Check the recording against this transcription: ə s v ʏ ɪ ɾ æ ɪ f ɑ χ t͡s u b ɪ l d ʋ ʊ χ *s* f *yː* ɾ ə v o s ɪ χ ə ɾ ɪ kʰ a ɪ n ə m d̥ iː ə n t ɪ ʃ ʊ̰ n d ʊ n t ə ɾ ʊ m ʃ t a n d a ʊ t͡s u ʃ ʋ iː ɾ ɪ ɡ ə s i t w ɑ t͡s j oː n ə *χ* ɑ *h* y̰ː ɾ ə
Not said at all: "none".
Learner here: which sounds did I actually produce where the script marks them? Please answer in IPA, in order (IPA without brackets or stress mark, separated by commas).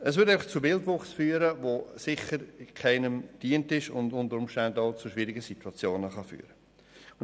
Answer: s, yː, χ, f